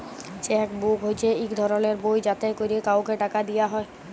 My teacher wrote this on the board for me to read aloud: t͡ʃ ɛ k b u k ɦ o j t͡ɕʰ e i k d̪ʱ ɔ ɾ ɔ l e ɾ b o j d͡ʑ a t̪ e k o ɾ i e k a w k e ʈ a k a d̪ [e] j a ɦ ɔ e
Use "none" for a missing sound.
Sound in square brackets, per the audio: i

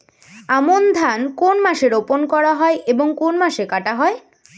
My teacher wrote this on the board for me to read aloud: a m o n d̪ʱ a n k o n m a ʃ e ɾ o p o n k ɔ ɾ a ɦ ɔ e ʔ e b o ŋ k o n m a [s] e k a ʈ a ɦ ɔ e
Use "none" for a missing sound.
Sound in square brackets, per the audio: ʃ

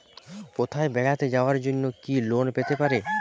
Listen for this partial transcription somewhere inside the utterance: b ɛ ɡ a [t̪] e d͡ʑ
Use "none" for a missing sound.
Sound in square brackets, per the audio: t̪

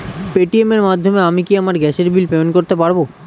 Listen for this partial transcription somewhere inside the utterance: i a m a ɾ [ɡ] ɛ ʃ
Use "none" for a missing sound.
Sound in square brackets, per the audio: ɡ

